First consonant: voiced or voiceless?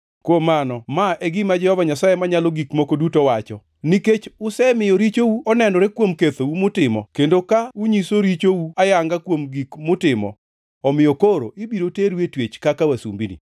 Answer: voiceless